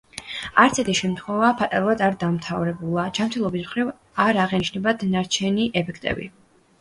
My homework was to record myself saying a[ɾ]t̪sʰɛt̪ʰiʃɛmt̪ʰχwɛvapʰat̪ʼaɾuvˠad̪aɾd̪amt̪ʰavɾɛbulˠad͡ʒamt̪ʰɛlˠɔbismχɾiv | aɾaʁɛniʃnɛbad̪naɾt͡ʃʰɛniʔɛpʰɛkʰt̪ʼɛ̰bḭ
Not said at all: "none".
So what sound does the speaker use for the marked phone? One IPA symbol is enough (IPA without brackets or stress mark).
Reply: ɾ